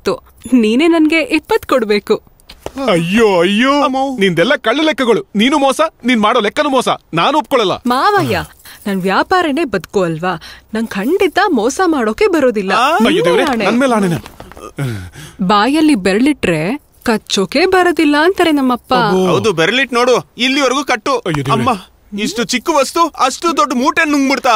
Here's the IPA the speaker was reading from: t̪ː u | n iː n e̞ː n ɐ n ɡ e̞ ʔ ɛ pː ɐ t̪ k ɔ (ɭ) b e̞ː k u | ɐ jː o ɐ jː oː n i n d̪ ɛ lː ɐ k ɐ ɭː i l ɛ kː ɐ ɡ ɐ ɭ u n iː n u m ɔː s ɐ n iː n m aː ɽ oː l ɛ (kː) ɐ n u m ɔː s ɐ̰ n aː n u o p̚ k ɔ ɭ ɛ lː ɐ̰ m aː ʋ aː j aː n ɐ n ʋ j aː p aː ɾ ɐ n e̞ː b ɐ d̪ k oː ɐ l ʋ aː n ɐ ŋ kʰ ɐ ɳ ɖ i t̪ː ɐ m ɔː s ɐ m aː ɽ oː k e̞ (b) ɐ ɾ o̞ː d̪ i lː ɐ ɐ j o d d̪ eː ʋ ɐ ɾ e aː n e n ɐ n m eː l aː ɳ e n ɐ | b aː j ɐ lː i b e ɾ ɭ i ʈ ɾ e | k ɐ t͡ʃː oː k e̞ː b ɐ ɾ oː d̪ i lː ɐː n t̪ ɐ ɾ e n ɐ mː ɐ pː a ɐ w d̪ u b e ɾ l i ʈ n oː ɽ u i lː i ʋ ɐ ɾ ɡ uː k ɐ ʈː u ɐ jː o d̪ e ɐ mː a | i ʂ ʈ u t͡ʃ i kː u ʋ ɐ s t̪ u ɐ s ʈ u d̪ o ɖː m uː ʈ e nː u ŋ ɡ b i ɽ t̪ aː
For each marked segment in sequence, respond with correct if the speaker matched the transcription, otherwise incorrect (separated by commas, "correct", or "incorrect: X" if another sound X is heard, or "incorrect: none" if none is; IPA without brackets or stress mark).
incorrect: ɽ, correct, correct